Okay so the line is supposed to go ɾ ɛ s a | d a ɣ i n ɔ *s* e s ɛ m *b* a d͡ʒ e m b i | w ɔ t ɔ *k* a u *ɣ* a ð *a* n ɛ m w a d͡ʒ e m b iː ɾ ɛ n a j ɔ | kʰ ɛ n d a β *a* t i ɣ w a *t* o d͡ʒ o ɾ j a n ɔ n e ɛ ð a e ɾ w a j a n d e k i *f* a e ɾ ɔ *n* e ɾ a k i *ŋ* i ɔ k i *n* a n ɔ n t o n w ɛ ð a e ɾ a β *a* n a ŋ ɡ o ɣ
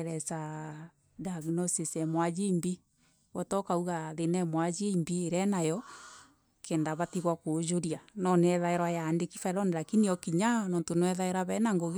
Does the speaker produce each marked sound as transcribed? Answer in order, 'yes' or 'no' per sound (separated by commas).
yes, no, yes, yes, no, yes, no, yes, yes, no, no, no